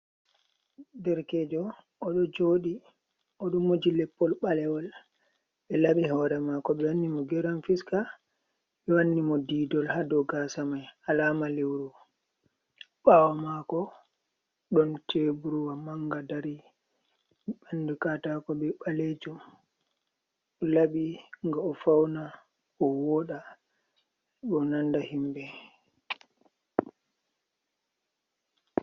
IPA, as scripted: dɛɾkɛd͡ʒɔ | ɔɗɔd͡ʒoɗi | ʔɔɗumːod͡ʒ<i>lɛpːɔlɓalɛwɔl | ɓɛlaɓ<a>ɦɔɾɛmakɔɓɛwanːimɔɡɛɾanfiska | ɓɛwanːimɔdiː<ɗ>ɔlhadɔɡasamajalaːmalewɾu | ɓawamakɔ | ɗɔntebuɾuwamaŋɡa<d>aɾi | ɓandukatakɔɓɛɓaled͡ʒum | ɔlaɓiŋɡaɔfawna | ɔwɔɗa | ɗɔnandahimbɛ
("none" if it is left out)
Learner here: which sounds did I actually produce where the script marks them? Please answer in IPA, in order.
i, i, d, d

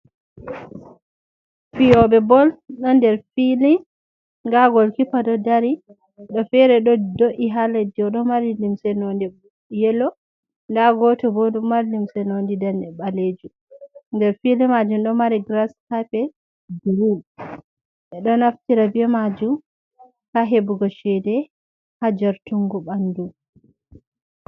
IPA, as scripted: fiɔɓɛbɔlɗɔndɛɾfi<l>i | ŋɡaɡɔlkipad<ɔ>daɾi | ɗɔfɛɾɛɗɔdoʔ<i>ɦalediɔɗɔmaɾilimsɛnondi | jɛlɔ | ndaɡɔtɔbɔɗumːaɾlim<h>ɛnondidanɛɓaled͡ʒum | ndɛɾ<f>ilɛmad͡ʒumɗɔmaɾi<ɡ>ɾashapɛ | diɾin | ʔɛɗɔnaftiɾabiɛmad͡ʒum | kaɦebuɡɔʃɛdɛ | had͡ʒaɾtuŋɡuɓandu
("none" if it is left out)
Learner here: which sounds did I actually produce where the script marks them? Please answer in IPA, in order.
l, ɔ, i, s, f, ɡ

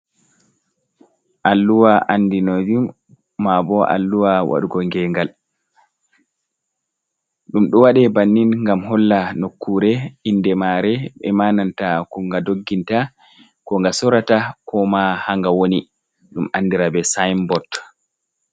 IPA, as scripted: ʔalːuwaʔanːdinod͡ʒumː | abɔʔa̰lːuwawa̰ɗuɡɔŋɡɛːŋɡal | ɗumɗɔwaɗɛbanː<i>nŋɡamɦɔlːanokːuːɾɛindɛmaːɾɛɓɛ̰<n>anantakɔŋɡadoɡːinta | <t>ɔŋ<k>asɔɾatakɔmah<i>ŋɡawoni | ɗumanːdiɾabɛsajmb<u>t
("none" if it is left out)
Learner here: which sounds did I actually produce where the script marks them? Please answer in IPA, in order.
i, m, k, ɡ, a, ɔ

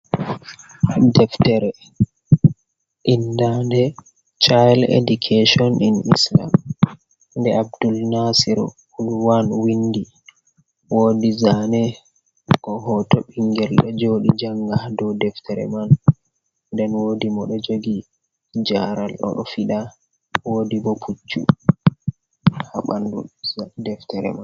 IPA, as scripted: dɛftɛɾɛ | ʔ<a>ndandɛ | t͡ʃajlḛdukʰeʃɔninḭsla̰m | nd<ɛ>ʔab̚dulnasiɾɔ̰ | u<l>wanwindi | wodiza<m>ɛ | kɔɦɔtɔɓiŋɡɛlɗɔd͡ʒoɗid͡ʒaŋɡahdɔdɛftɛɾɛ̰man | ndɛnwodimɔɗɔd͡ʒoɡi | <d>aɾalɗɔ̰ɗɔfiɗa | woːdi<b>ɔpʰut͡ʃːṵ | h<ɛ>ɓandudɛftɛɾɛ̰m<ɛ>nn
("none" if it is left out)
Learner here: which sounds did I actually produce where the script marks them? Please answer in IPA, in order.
i, ɛ, l, n, d͡ʒ, b, a, a

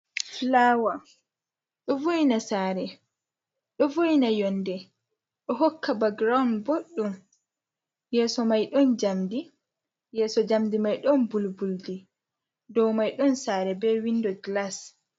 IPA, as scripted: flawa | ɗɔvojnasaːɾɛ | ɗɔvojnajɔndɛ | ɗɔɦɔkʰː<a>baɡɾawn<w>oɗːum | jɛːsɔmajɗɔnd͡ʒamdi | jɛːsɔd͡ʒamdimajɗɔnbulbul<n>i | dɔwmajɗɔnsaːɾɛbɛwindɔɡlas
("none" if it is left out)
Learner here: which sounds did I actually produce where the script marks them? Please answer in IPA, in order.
a, b, d

